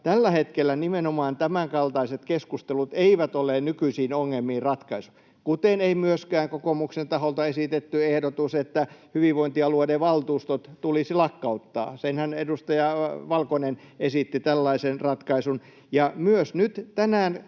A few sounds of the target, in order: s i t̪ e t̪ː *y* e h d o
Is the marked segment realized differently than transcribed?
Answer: no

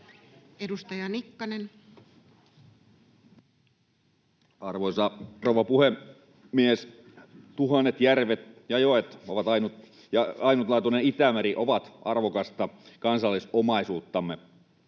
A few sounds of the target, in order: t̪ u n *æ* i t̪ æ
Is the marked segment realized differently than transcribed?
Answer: yes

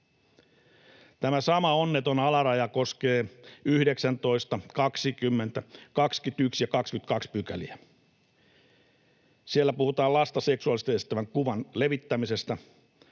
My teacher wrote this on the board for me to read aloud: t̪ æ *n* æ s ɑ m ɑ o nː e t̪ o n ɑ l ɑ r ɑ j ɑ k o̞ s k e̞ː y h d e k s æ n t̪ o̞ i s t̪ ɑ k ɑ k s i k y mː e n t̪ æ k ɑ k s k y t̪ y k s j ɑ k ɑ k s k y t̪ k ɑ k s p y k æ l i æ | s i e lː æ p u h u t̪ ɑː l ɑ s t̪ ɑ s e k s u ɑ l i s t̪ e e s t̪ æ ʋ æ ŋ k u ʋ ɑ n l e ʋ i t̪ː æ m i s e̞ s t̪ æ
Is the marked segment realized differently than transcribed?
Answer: yes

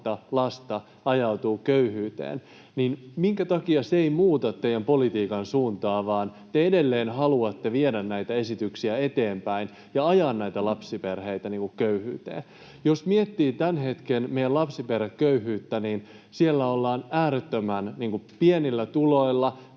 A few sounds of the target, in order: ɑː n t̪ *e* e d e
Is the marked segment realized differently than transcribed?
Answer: no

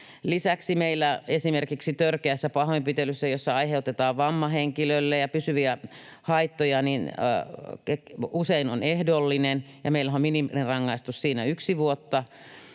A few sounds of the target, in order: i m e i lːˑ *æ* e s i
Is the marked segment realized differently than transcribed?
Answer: no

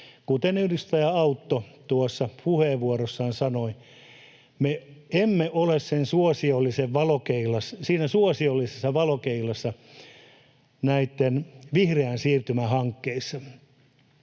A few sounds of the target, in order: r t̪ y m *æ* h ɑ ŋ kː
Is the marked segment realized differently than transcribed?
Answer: no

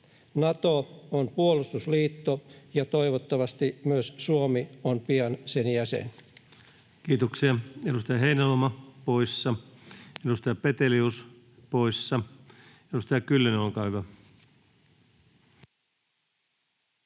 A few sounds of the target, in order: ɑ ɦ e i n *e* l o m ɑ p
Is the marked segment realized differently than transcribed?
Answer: yes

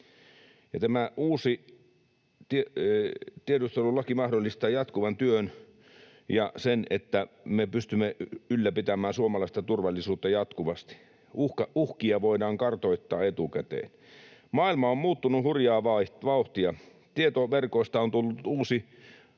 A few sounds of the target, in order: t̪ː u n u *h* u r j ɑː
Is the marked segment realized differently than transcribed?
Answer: no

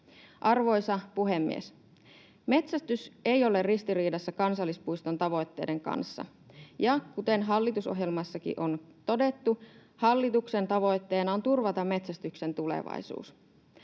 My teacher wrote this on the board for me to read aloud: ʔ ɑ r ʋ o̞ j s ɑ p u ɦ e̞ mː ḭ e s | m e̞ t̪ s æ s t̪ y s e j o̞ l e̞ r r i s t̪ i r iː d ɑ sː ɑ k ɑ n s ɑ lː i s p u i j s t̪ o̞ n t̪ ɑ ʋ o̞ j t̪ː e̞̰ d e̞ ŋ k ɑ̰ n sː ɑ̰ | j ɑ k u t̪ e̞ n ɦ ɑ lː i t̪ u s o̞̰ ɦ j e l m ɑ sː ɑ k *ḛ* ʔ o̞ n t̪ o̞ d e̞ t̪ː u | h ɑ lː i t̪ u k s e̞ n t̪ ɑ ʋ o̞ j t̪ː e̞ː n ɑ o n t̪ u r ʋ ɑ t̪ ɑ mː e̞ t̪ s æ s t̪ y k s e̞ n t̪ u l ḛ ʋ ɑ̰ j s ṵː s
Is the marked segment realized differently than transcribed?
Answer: yes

